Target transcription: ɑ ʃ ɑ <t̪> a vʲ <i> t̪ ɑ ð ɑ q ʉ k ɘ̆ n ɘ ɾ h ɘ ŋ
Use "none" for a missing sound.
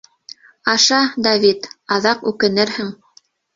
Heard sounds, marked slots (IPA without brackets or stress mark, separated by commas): d̪, i